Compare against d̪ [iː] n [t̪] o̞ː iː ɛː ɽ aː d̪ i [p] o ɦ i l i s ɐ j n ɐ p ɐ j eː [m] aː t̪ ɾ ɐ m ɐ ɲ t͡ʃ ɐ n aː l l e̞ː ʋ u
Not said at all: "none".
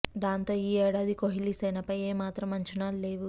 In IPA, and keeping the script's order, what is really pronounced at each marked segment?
aː, t̪, k, m

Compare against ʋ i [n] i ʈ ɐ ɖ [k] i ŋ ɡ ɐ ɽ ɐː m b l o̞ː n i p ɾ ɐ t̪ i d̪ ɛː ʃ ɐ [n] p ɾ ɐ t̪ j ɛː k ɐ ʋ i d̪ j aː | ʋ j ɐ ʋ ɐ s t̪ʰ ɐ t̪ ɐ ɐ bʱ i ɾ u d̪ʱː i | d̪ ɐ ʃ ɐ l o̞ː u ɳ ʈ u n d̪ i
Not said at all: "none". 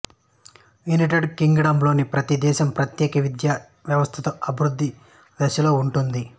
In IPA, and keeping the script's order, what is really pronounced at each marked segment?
n, k, m

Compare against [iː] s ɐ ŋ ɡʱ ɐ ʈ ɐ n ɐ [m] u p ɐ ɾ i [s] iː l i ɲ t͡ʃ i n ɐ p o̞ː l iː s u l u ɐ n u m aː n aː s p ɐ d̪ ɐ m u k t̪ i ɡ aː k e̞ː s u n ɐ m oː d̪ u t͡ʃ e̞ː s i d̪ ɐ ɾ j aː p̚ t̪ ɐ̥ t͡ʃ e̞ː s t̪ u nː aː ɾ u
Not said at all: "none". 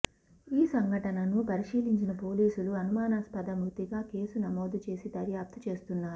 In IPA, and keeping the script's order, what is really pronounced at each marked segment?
iː, n, ʂ

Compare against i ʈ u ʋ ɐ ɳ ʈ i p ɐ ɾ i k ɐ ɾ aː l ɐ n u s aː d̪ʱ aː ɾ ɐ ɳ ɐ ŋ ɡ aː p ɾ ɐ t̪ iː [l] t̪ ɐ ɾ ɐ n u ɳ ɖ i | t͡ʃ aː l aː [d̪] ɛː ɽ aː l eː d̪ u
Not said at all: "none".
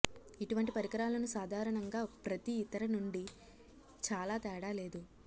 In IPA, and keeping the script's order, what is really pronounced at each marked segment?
none, t̪

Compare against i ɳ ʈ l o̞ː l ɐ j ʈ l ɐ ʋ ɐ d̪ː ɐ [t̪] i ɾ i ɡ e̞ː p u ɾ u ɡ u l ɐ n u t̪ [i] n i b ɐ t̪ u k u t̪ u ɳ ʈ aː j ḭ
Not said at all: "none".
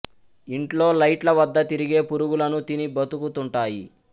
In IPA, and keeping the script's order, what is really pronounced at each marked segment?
t̪, i

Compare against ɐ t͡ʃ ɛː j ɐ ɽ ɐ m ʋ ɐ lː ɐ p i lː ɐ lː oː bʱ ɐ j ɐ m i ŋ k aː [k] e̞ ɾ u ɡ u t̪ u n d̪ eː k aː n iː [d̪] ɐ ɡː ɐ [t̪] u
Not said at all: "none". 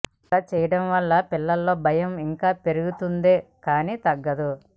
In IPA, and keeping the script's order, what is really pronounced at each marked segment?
p, t̪, d̪

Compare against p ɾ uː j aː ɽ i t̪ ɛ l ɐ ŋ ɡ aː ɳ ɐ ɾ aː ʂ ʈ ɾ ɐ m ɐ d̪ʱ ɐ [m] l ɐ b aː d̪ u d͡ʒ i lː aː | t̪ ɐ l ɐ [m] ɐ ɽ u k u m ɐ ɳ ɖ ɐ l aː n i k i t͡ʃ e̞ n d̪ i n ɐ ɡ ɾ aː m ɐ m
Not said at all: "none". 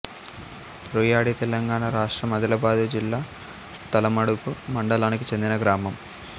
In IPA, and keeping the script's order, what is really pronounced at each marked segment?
none, m

